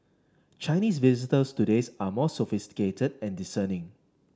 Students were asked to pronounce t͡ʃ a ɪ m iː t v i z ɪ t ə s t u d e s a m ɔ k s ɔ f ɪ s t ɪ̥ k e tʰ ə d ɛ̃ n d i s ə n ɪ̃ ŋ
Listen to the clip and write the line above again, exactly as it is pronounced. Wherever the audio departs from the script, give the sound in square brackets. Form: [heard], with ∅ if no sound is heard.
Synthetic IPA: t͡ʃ a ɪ [n] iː [s] v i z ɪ t ə s t u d e s a m ɔ [∅] s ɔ f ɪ s t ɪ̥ k e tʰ ə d ɛ̃ n d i s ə n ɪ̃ ŋ